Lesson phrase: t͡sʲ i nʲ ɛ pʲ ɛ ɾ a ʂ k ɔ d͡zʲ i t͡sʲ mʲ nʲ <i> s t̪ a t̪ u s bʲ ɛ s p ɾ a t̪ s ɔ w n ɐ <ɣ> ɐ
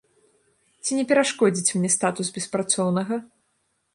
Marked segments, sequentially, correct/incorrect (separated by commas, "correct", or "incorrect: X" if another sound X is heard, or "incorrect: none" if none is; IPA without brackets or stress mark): incorrect: ɛ, correct